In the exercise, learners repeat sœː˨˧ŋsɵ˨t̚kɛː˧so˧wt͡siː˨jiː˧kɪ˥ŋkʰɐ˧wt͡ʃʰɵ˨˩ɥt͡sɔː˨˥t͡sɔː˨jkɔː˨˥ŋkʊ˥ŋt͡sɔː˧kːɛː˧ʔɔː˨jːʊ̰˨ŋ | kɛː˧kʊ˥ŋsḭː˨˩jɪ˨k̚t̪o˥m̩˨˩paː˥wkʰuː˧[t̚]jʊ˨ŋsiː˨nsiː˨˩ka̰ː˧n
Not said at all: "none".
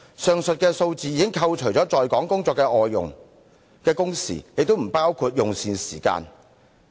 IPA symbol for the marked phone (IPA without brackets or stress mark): t̚